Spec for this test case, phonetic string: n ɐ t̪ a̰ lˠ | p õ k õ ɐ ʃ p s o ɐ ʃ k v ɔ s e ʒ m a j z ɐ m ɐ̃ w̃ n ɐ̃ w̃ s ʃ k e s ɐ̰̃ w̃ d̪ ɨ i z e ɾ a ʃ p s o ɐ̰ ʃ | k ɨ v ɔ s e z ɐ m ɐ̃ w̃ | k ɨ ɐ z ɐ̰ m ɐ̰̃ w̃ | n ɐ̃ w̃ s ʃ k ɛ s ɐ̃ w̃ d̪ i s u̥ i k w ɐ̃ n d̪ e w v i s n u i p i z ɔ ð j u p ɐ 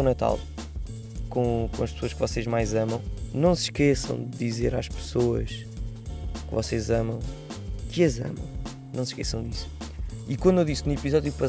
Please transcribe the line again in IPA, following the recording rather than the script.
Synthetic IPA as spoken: n ɐ t̪ a̰ lˠ | k õ k õ ɐ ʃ p s o ɐ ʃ k v ɔ s e ʒ m a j z ɐ m ɐ̃ w̃ n ɐ̃ w̃ s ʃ k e s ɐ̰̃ w̃ d̪ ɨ i z e ɾ a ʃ p s o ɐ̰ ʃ | k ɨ v ɔ s e z ɐ m ɐ̃ w̃ | k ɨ ɐ z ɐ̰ m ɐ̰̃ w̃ | n ɐ̃ w̃ s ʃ k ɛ s ɐ̃ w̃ d̪ i s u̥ i k w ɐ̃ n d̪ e w ð i s n u i p i z ɔ ð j u p ɐ